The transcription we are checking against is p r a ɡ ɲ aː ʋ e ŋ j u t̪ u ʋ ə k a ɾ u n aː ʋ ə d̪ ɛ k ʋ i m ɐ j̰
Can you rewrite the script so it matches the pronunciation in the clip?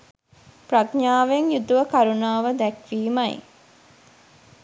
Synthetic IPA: p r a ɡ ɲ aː ʋ e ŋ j u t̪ u ʋ ə k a ɾ u n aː ʋ ə d̪ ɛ k ʋ iː m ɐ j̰